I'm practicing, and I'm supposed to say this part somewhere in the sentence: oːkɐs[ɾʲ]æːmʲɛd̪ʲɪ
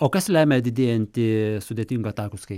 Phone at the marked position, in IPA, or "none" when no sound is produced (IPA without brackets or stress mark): lʲ